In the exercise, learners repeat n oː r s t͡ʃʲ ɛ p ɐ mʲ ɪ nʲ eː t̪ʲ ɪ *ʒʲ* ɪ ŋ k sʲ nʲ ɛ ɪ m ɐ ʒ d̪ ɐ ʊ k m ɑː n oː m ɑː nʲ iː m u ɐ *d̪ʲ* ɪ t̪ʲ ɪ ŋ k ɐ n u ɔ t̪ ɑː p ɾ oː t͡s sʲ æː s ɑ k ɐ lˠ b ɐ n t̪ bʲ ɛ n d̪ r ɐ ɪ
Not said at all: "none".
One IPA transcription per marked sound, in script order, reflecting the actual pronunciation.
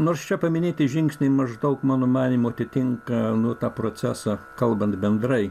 ʒʲ, t̪ʲ

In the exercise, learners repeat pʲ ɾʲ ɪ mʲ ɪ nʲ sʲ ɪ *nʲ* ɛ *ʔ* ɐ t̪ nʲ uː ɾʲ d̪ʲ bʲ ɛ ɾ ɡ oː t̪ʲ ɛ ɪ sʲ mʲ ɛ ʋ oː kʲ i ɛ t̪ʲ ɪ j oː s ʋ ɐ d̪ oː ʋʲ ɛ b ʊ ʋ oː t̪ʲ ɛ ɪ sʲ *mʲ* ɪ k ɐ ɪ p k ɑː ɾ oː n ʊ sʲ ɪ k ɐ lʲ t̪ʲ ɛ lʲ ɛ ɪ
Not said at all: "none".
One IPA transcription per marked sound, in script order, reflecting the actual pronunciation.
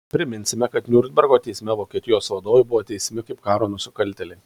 mʲ, k, mʲ

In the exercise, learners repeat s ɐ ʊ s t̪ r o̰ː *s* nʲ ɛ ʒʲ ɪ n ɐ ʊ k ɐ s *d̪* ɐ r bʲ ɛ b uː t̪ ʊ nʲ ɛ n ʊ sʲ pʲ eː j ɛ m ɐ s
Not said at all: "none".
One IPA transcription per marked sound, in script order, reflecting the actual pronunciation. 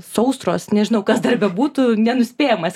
s, d̪

